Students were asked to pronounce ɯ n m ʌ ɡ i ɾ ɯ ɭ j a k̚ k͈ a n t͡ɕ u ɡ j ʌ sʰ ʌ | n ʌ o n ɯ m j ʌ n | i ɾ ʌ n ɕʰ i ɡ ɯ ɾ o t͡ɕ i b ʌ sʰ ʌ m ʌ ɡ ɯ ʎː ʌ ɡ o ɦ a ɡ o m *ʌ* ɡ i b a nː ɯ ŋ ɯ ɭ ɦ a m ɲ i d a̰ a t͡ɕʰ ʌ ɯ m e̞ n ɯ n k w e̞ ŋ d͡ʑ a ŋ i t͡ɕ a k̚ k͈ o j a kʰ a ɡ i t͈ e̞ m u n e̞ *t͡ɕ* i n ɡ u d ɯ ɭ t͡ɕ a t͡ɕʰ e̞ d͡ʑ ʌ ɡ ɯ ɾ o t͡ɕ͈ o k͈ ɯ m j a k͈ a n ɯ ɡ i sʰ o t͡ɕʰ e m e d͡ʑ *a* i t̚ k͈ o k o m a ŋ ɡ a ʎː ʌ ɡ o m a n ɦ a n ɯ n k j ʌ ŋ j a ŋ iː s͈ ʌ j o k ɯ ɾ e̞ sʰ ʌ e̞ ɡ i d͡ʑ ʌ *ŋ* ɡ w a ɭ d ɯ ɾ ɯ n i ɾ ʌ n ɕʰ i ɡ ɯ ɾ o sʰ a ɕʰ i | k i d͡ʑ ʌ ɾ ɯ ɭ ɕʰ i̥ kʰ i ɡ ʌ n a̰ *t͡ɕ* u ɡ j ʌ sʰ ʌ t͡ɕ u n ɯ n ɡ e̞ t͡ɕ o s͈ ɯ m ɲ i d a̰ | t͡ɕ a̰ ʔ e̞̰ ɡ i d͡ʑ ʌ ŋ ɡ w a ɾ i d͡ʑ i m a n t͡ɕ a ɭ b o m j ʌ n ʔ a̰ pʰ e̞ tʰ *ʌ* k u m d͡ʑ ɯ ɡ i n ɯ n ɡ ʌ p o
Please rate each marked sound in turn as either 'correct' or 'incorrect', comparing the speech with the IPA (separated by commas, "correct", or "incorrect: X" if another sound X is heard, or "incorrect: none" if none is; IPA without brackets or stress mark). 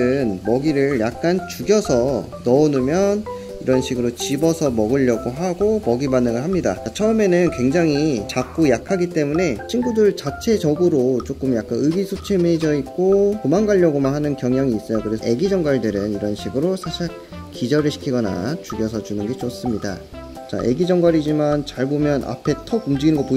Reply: correct, incorrect: t͡ɕʰ, incorrect: ʌ, correct, correct, correct